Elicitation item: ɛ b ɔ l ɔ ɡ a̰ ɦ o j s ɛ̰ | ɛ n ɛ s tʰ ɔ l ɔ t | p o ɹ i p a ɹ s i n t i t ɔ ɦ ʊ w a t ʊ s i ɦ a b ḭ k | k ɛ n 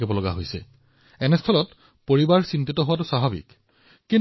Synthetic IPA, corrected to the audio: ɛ b ɔ l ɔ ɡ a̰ ɦ o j s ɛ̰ | ɛ n ɛ s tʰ ɔ l ɔ t | p o ɹ i b a ɹ s i n t i t ɔ ɦ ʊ w a t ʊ s a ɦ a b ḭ k | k i n